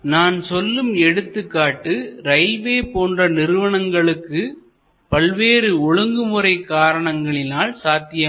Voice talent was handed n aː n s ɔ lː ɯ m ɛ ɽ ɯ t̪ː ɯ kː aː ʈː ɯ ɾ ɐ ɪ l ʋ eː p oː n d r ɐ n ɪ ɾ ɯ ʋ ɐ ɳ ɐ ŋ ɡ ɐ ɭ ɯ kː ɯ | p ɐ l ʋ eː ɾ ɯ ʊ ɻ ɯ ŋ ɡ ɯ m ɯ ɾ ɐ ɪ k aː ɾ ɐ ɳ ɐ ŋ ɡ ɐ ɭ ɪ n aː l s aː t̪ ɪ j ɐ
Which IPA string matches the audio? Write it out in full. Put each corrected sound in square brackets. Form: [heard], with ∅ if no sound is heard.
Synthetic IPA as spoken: n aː n s ɔ lː ɯ m ɛ ɽ ɯ t̪ː ɯ kː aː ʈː ɯ ɾ ɐ ɪ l ʋ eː p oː n d r ɐ n ɪ ɾ ɯ ʋ ɐ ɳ ɐ ŋ ɡ ɐ ɭ ɯ kː ɯ | p ɐ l ʋ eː ɾ ɯ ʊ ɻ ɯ ŋ ɡ ɯ m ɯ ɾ ɐ ɪ k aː ɾ ɐ ɳ ɐ ŋ ɡ ɐ ɭ ɪ n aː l s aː t̪ ɪ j ɐ